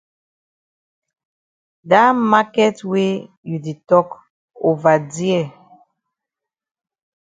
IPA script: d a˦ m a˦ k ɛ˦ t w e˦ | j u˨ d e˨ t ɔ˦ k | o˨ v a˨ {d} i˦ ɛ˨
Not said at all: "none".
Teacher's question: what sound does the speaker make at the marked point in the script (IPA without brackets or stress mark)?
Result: d